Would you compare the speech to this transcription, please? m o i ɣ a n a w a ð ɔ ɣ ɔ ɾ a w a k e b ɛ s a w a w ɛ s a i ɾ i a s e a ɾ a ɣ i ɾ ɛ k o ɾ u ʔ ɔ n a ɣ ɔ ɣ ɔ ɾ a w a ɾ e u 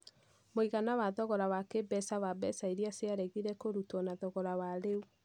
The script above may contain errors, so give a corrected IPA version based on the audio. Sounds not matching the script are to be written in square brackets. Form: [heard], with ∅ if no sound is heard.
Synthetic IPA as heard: m o i ɣ a n a w a ð ɔ ɣ ɔ ɾ a w a k e b ɛ s a w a [b] ɛ s a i ɾ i a s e a ɾ [ɛ] ɣ i ɾ ɛ k o ɾ u [t] ɔ n a [ð] ɔ ɣ ɔ ɾ a w a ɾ e u

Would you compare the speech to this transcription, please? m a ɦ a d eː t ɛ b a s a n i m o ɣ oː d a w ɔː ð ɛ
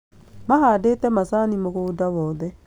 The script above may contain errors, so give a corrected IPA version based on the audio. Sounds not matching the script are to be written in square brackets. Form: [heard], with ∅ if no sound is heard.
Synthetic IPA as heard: m a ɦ a d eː t ɛ [m] a s a n i m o ɣ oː d a w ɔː ð ɛ

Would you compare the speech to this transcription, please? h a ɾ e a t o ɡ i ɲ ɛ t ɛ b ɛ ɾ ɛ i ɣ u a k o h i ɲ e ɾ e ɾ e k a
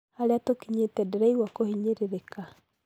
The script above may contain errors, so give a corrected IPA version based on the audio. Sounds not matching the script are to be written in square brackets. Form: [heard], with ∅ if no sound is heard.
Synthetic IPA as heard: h a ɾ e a t o [k] i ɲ [e] t ɛ [d] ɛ ɾ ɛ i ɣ [w] a k o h i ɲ e ɾ e ɾ e k a

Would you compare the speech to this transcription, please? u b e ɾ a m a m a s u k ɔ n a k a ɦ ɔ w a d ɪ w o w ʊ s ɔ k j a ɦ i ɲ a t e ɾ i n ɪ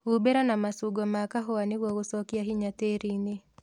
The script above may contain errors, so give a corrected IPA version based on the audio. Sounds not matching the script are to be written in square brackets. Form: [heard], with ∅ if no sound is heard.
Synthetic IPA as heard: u b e ɾ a [n] a m a s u [ɡ] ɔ [m] a k a ɦ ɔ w a [n] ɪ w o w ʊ s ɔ k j a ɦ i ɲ a t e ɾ i n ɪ

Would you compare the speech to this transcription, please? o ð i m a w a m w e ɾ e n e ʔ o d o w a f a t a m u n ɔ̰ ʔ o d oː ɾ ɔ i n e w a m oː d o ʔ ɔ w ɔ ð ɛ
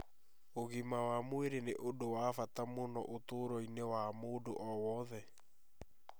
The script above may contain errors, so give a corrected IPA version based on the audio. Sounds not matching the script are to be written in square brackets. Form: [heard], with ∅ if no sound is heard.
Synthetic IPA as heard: o [ɣ] i m a w a m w e ɾ e n e ʔ o d o w a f a t a m [o] n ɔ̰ ʔ o [t] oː ɾ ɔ i n e w a m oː d o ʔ ɔ w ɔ ð ɛ

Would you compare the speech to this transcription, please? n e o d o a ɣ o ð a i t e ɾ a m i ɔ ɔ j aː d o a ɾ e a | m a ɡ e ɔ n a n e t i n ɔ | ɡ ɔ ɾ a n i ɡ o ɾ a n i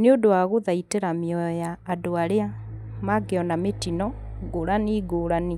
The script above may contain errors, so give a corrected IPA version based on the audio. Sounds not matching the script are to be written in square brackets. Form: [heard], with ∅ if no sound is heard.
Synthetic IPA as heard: n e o d o a ɣ o ð a i t e ɾ a m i ɔ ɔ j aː d o a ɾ e a | m a ɡ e ɔ n a [m] e t i n ɔ | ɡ [o] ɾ a n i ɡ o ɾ a n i

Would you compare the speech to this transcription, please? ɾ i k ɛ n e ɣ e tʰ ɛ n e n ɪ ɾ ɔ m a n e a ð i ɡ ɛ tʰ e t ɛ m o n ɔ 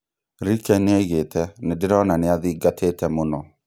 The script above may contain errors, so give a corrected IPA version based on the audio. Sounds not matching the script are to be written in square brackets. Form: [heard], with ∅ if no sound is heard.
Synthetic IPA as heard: ɾ i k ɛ n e ɣ e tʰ ɛ n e [d] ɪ ɾ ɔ [n] a n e a ð i ɡ [a] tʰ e t ɛ m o n ɔ

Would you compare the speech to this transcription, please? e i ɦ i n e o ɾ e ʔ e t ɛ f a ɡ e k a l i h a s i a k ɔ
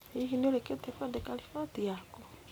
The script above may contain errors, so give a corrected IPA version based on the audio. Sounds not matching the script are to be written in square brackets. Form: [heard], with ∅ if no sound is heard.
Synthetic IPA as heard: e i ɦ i n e o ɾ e [k] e t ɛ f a [d] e k a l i [f] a [t] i a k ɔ

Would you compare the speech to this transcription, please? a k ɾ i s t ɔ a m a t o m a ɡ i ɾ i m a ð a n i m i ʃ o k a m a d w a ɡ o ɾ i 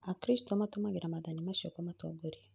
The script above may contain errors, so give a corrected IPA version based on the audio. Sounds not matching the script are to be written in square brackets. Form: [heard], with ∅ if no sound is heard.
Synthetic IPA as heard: a k ɾ i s t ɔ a m a t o m a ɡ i ɾ [a] m a ð a n i m [a] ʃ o k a m a [t] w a ɡ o ɾ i

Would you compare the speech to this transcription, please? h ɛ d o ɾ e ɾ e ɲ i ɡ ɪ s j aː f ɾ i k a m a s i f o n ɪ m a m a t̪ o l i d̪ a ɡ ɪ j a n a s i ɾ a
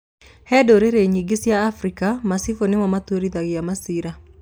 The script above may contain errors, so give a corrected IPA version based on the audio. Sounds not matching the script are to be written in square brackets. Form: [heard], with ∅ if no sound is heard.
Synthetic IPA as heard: h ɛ d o ɾ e ɾ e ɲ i ɡ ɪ s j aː f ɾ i k a m a s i f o n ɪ m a m a t̪ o [ɾ] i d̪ a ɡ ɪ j a [m] a s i ɾ a

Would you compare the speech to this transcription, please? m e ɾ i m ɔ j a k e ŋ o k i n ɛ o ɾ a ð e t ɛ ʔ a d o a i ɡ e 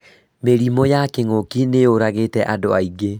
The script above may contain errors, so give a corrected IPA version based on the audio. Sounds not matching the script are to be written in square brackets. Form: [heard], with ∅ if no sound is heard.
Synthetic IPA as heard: m e ɾ i m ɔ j a k e ŋ o k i n [e] o ɾ a [ɣ] e t ɛ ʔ a d o a i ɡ e

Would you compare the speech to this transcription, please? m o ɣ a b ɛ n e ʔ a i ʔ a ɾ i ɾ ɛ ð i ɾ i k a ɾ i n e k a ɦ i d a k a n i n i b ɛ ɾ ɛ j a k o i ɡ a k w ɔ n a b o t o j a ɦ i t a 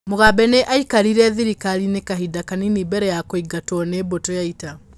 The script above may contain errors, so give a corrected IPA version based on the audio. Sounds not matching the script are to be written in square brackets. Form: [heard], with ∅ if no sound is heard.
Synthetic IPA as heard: m o ɣ a b ɛ n e ʔ a i [k] a ɾ i ɾ ɛ ð i ɾ i k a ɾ i n e k a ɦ i d a k a n i n i b ɛ ɾ ɛ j a k o i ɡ a [t] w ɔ n [e] b o t o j a [∅] i t a

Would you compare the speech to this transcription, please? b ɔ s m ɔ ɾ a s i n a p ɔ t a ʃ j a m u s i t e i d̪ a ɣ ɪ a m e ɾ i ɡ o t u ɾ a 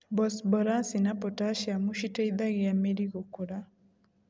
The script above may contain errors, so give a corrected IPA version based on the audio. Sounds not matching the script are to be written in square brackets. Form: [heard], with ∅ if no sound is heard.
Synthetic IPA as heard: b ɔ s [b] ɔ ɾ a s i n a p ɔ t a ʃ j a m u [ʃ] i t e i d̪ a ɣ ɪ a m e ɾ i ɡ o [k] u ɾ a

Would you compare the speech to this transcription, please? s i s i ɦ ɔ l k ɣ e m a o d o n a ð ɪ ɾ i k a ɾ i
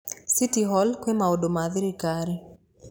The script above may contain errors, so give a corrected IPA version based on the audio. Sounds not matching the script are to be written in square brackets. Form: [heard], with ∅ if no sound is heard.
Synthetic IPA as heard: s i [t] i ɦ ɔ l k [w] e m a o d o [m] a ð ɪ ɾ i k a ɾ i

